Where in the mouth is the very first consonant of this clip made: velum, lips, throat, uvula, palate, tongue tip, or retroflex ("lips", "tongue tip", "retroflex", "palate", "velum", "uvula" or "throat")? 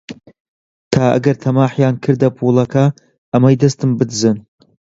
tongue tip